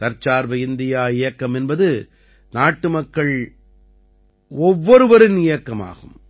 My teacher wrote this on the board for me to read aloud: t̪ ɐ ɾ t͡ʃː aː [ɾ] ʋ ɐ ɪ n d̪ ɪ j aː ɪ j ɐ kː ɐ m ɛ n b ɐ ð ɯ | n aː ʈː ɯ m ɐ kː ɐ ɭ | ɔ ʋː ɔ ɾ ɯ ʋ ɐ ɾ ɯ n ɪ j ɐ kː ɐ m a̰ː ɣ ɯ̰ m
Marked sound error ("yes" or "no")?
no